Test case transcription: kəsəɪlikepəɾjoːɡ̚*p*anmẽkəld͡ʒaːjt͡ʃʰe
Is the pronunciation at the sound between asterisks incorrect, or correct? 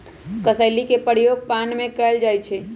correct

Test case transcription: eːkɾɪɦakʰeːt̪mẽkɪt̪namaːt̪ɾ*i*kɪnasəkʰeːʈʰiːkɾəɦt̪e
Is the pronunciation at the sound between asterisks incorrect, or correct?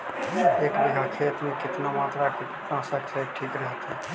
incorrect: a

